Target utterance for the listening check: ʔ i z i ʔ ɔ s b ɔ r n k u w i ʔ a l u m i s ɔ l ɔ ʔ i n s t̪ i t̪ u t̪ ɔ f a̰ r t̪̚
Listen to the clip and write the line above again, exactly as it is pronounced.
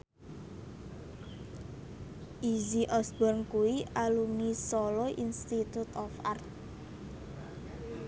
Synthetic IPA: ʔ i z i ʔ ɔ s b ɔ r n k u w i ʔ a l u m i s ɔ l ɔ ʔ i n s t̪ i t̪ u t̪ ɔ f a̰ r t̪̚